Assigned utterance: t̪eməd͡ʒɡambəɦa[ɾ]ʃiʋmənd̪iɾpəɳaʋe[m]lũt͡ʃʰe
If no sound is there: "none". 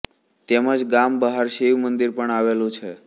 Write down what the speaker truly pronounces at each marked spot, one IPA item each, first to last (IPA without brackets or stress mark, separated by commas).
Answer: ɾ, none